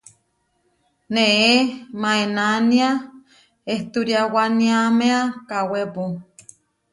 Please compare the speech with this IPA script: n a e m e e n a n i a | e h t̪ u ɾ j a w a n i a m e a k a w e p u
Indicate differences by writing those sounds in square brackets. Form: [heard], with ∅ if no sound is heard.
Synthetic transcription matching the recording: n [e] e m [a] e n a n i a | e h t̪ u ɾ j a w a n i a m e a k a w e p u